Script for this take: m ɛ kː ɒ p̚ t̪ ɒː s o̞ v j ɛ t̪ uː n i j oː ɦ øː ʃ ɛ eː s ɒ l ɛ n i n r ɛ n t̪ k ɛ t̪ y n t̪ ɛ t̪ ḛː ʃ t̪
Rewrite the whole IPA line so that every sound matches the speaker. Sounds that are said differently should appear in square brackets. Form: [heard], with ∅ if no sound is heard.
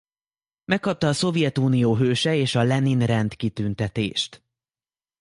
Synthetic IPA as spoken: m ɛ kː ɒ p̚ t̪ ɒː s o̞ v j ɛ t̪ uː n i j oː ɦ øː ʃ ɛ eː [ʃ] ɒ l ɛ n i n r ɛ n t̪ k [i] t̪ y n t̪ ɛ t̪ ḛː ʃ t̪